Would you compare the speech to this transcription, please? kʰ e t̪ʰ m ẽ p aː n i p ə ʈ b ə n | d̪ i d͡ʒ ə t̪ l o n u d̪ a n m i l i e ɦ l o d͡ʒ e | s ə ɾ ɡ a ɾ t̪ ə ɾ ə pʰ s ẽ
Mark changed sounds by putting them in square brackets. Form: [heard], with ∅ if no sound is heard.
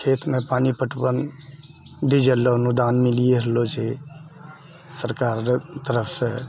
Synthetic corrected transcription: kʰ e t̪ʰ m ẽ p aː n i p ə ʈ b ə n | d̪ i d͡ʒ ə [∅] l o n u d̪ a n m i l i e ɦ l o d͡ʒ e | s ə ɾ [k] a ɾ t̪ ə ɾ ə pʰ s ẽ